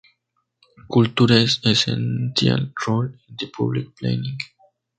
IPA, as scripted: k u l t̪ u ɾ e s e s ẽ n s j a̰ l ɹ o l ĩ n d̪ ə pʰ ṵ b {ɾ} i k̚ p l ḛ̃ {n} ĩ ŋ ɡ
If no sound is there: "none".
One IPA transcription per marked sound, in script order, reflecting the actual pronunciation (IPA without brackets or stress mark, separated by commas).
l, n